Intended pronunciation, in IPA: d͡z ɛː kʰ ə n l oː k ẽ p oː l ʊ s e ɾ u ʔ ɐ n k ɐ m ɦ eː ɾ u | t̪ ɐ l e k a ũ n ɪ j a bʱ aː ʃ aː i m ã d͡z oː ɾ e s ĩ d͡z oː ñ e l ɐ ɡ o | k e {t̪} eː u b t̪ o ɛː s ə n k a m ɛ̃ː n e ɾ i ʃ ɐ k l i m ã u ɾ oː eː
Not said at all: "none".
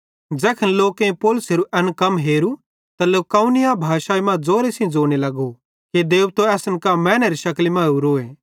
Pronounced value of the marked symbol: d̪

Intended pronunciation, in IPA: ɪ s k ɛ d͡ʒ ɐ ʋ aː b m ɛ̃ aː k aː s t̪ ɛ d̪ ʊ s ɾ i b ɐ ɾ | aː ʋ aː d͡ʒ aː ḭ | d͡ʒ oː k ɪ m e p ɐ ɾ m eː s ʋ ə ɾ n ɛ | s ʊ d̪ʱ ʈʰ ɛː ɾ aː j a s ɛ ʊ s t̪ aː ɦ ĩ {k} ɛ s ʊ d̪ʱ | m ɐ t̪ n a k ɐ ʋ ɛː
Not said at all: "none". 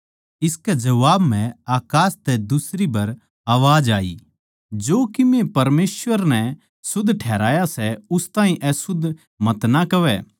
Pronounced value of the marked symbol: ʔ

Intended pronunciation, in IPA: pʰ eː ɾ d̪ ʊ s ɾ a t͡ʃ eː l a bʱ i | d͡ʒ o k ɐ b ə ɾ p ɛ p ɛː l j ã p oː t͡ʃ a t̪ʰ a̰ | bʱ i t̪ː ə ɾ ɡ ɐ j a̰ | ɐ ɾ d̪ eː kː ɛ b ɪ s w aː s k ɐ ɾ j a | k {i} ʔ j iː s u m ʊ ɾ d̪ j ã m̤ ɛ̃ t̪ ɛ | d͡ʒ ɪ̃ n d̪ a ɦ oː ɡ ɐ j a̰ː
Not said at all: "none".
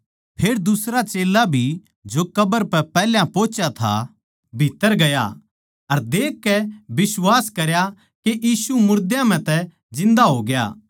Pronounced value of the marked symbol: e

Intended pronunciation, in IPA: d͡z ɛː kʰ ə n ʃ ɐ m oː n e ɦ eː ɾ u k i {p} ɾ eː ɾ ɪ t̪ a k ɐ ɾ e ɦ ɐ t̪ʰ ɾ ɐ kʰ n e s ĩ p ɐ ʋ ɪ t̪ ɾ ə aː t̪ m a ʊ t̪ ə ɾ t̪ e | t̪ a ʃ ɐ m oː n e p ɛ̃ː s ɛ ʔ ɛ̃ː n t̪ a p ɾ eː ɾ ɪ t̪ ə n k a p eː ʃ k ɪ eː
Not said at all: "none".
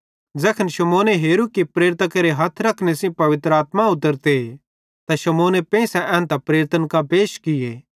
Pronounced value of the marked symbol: p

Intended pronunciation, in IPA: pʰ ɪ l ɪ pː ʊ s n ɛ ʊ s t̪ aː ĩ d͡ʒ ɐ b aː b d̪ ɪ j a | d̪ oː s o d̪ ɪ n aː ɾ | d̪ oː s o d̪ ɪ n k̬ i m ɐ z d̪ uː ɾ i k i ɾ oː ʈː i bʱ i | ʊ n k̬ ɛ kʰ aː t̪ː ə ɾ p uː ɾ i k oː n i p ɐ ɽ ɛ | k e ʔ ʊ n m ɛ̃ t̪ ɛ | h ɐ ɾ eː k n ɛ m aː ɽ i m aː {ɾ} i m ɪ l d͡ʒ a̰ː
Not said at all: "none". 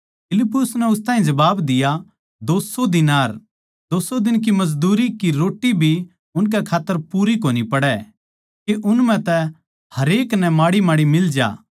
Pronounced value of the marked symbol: ɽ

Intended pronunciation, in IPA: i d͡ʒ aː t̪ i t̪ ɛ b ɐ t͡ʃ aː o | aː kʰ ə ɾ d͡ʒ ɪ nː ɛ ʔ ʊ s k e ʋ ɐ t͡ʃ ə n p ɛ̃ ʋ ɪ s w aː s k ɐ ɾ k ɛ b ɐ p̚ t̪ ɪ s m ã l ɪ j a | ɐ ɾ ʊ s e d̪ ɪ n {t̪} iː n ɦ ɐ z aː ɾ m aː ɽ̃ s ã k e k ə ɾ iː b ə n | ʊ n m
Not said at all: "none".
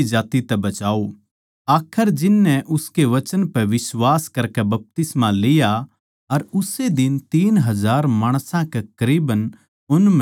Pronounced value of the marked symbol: t̪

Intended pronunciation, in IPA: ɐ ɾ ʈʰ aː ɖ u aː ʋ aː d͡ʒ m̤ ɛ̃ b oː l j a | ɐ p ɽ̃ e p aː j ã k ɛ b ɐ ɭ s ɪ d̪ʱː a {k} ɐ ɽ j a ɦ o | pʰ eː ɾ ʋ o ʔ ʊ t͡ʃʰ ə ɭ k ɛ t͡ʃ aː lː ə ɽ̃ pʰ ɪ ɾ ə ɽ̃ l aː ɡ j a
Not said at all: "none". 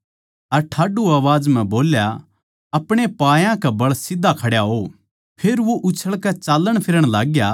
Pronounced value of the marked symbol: kʰ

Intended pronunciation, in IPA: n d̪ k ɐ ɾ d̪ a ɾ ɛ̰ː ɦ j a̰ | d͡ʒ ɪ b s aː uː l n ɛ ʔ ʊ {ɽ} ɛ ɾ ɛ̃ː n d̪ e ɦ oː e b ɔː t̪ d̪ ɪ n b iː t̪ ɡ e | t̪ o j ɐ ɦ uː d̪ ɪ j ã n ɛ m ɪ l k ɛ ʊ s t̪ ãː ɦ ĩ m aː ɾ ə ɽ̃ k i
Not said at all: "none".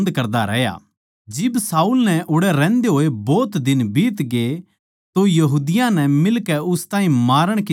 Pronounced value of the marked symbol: ɽ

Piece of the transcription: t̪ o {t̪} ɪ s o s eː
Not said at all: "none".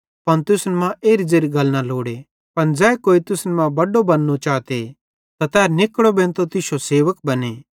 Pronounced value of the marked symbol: t̪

